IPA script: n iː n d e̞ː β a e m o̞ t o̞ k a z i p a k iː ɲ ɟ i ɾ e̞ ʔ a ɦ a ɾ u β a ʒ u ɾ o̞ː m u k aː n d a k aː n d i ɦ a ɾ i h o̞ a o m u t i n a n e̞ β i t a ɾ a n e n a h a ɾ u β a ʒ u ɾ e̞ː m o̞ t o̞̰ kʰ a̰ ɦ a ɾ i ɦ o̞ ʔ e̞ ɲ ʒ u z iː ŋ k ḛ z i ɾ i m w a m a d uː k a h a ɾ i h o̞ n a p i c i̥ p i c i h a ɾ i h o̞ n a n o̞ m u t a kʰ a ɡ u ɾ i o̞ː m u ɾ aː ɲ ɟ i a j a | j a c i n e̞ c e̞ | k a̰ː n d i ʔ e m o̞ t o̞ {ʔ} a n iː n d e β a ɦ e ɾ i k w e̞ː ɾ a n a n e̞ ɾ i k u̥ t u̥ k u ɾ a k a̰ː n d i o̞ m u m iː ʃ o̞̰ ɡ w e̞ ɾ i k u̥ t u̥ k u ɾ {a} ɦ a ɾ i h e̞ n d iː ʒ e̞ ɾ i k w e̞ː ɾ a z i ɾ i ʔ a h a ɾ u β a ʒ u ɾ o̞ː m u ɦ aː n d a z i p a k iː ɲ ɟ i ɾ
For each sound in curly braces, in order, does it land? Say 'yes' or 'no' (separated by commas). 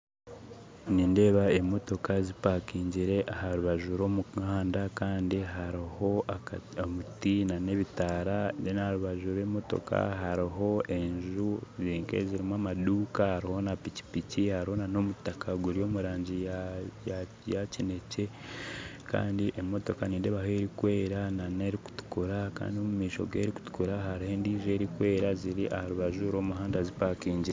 no, yes